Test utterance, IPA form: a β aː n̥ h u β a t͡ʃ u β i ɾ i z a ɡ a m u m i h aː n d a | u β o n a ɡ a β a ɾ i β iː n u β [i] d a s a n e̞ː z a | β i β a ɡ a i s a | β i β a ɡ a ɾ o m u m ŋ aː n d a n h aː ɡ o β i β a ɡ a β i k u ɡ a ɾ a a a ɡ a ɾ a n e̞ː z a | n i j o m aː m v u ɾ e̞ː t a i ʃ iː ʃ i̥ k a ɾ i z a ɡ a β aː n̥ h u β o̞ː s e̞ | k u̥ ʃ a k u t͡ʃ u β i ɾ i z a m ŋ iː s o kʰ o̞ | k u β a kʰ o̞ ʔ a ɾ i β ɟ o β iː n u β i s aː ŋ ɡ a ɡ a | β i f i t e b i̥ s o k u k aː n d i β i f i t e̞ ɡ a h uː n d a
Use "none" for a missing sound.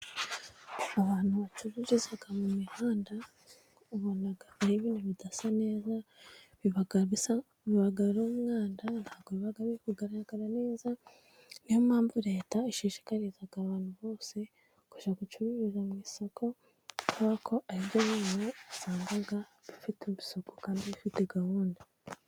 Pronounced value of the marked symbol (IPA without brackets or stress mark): i